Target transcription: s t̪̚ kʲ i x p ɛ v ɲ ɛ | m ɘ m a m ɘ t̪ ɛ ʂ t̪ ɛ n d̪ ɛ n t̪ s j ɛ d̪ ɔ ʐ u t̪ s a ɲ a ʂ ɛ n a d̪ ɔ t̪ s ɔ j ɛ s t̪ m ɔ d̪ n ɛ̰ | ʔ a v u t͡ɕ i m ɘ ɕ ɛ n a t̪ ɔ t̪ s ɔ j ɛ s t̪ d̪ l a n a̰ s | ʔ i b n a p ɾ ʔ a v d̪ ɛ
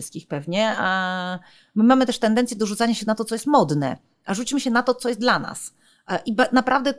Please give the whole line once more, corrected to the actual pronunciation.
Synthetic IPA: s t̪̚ kʲ i x p ɛ v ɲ ɛ | m ɘ m a m ɘ t̪ ɛ ʂ t̪ ɛ n d̪ ɛ n t̪ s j ɛ d̪ ɔ ʐ u t̪ s a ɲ a ɕ ɛ n a t̪ ɔ t̪ s ɔ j ɛ s t̪ m ɔ d̪ n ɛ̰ | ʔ a ʐ u t͡ɕ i m ɘ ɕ ɛ n a t̪ ɔ t̪ s ɔ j ɛ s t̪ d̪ l a n a̰ s | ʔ i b n a p ɾ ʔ a v d̪ ɛ